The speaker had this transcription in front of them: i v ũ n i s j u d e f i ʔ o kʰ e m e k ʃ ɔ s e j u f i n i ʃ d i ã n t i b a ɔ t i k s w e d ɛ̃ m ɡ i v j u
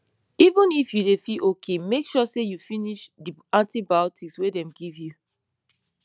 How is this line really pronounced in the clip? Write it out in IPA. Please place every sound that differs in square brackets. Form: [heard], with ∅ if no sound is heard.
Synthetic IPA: i v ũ n i [f] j u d e f i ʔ o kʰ e m e k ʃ ɔ s e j u f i n i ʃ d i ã n t i b a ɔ t i k s w e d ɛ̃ m ɡ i v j u